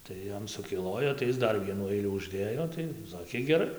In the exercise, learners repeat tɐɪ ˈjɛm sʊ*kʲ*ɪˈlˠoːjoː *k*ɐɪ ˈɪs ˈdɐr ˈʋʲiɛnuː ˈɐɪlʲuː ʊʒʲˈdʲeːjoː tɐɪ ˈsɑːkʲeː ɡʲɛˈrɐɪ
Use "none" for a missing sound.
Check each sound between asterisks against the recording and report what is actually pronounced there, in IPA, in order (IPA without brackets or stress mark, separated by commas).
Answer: kʲ, t